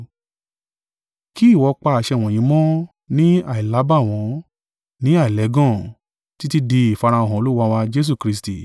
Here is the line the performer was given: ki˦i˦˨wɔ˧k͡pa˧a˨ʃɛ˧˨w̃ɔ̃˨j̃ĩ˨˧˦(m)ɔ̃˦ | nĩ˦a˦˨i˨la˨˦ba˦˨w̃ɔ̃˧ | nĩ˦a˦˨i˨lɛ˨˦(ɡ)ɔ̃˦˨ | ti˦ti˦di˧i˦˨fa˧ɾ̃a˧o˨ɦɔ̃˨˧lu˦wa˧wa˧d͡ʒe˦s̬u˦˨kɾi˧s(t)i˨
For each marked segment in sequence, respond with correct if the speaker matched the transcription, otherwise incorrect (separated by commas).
correct, correct, correct